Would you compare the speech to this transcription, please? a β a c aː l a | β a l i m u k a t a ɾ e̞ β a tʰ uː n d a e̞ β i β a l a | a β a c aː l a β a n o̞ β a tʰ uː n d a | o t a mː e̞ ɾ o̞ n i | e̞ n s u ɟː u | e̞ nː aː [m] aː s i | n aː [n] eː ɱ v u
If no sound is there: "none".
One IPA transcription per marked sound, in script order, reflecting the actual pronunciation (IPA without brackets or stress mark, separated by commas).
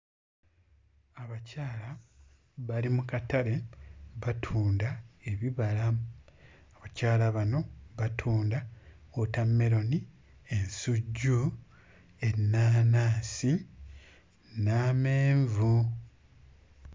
n, m